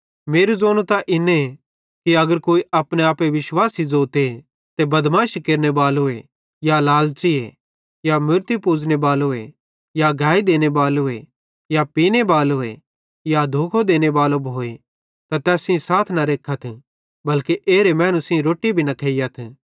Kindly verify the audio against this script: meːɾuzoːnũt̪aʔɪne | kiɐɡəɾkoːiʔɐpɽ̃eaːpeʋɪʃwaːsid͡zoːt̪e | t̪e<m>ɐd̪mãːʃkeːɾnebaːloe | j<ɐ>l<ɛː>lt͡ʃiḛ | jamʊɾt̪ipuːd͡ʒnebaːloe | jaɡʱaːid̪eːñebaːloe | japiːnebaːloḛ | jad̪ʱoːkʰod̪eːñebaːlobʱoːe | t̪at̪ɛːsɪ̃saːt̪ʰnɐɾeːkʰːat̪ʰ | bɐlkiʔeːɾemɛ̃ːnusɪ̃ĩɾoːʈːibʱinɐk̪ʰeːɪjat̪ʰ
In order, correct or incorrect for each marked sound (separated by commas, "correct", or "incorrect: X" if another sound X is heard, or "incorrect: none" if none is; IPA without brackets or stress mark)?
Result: incorrect: b, incorrect: a, incorrect: aː